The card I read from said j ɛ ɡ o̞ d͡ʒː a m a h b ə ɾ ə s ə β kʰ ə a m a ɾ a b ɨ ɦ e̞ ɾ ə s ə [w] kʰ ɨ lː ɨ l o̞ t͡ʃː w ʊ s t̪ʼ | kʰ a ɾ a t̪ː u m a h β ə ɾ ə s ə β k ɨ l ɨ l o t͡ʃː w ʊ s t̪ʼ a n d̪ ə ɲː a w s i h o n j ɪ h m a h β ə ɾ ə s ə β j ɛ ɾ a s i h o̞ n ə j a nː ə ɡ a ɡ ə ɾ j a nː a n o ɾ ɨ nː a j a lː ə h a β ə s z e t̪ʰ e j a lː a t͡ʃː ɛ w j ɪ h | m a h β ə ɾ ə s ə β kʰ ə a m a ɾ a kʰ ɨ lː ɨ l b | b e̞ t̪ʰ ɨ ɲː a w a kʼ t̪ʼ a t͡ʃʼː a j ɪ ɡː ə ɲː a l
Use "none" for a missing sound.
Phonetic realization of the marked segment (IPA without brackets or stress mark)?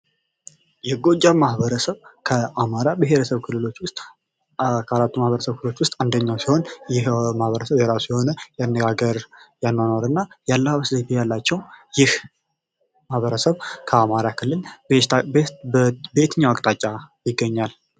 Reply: β